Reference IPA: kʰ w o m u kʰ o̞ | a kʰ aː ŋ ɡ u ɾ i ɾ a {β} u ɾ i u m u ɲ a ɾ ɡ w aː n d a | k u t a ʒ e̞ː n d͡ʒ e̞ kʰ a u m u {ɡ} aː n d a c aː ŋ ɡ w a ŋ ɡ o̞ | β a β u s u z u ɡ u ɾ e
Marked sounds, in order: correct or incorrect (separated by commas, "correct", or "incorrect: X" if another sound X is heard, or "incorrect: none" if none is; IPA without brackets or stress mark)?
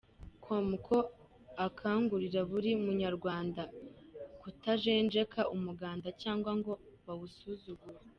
correct, correct